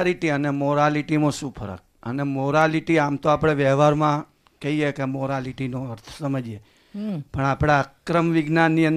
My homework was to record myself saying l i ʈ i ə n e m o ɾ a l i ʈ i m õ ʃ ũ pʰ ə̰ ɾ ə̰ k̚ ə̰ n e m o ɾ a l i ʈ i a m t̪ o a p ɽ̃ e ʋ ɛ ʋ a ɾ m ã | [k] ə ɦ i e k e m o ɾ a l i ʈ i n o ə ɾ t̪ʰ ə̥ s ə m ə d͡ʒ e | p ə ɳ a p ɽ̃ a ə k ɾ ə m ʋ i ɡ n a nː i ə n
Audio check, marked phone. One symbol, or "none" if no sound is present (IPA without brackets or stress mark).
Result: k